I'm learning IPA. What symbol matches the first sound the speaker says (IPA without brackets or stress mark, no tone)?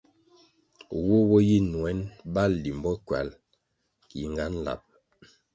w